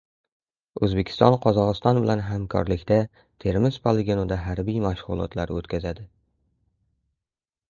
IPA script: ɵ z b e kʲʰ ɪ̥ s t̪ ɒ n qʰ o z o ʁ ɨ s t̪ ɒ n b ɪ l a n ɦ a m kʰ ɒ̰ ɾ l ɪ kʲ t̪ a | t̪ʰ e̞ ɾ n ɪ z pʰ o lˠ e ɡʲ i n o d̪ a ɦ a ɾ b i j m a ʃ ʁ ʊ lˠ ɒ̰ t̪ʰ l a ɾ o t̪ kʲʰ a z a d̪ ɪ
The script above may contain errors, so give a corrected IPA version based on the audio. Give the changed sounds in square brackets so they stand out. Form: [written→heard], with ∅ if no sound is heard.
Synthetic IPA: ɵ z b e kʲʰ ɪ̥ s t̪ ɒ n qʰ [o→ɒ] z [o→ɒ] ʁ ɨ s t̪ ɒ n b ɪ l a n ɦ a m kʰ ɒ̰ ɾ l ɪ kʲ t̪ a | t̪ʰ e̞ ɾ [n→m] ɪ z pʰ o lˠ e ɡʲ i n o d̪ a ɦ a ɾ b i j m a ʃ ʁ ʊ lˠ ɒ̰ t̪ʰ l a ɾ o t̪ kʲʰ a z a d̪ ɪ